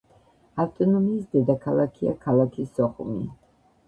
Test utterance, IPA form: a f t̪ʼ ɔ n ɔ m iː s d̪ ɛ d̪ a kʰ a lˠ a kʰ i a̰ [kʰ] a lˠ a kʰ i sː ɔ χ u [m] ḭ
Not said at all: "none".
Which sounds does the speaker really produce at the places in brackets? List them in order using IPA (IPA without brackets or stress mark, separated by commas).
kʰ, m